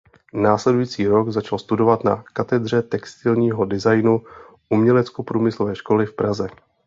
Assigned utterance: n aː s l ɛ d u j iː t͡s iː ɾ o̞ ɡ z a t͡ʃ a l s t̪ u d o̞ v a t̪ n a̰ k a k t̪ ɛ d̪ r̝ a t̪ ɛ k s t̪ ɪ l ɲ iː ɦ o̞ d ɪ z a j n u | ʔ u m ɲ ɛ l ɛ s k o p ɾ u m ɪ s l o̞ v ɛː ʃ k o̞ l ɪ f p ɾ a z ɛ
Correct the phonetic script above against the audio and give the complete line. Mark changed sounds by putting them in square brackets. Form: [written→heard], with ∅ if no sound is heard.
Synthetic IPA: n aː s l ɛ d u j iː t͡s iː ɾ o̞ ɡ z a t͡ʃ a l s t̪ u d o̞ v a t̪ n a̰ k a [k→∅] t̪ ɛ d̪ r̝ [a→ɛ] t̪ ɛ k s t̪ ɪ l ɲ iː ɦ o̞ d ɪ z a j n u | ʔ u m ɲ ɛ l ɛ [s→t͡s] k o p ɾ [u→uː] m ɪ s l o̞ v ɛː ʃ k o̞ l ɪ f p ɾ a z ɛ